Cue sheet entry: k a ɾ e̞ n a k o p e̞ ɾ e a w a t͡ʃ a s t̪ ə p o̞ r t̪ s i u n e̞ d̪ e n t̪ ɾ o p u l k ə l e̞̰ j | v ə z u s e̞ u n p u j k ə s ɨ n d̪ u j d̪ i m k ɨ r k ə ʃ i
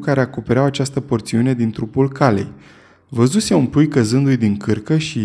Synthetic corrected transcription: k a ɾ e̞ a k o p e̞ ɾ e a w a t͡ʃ a s t̪ ə p o̞ r t̪ s i u n e̞ d̪ i n t̪ ɾ u p u l k a l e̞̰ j | v ə z u s e̞ u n p u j k ə z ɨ n d̪ u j d̪ i ŋ k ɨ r k ə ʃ i